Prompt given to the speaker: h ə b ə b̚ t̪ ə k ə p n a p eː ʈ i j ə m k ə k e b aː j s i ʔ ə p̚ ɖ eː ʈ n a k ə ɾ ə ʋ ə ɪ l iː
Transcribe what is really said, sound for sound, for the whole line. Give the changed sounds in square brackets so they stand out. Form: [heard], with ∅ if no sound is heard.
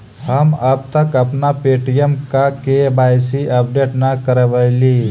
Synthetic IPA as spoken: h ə [m] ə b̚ t̪ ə k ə p n a p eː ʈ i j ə m k [a] k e b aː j s i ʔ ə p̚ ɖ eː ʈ n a k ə ɾ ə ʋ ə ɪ l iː